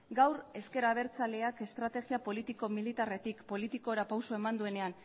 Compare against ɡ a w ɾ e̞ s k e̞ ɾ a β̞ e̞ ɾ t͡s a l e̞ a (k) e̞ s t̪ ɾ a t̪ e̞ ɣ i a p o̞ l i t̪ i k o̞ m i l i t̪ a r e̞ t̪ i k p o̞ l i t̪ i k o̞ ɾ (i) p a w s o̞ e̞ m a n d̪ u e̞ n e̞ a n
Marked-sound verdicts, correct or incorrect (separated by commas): correct, incorrect